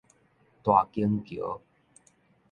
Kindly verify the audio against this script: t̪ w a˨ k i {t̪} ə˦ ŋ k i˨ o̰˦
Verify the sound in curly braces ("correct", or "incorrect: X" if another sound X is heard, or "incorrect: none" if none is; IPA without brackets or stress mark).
incorrect: none